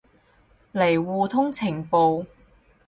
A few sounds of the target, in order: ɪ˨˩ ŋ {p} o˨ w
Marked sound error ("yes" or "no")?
no